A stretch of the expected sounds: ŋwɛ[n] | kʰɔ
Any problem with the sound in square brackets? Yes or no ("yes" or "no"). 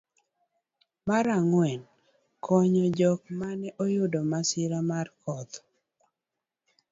no